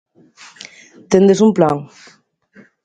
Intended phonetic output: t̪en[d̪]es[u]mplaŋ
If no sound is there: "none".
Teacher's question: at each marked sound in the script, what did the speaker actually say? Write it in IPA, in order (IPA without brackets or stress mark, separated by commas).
d̪, u